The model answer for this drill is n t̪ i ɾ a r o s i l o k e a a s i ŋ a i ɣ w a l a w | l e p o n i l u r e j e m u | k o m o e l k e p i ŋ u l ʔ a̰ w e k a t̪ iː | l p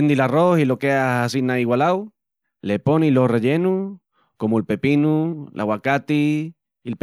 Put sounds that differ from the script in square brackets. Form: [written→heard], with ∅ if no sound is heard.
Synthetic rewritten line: n [t̪→d̪] i [ɾ→l] a r o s i l o k e a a s i [ŋ→n] a i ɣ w a l a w | l e p o n i l [u→o] r e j e [m→n] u | k o m o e l [k→p] e p i [ŋ→n] u l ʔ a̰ w [e→a] k a t̪ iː | l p